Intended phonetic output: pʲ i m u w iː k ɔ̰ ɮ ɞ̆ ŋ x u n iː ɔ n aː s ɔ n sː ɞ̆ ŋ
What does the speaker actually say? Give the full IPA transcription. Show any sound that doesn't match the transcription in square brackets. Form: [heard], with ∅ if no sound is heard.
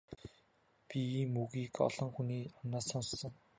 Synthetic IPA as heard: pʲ i m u [ɣ] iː k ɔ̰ ɮ ɞ̆ ŋ x u n iː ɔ n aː s ɔ n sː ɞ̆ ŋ